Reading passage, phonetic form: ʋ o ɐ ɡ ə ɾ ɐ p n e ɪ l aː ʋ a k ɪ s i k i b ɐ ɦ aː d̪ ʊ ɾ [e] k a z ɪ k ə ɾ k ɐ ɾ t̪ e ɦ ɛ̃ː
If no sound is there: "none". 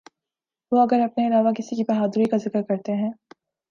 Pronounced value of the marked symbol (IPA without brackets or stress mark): i